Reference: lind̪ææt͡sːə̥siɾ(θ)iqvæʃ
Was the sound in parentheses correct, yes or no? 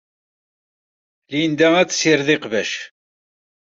no